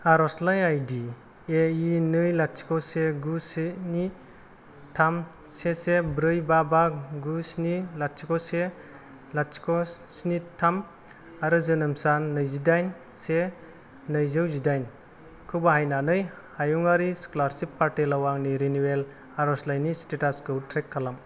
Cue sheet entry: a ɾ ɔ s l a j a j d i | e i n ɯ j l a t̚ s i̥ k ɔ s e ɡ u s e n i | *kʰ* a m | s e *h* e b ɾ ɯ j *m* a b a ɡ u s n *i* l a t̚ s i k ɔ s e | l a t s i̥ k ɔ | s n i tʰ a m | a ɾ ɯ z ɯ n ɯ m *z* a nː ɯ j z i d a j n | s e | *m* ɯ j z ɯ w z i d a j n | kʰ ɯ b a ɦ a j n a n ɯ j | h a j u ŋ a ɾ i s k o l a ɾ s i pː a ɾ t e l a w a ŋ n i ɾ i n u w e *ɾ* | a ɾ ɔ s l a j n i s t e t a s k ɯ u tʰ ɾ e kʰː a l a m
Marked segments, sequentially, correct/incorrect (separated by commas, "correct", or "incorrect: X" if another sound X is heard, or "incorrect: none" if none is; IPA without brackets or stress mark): incorrect: tʰ, incorrect: s, incorrect: b, correct, incorrect: s, incorrect: n, incorrect: l